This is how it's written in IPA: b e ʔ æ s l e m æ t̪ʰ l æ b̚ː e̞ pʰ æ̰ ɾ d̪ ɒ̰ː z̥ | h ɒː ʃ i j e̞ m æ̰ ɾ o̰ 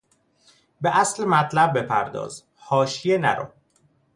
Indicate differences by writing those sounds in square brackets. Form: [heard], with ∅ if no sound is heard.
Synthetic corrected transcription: b e ʔ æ s l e m æ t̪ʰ l æ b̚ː e̞ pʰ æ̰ ɾ d̪ ɒ̰ː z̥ | h ɒː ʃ i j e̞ [n] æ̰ ɾ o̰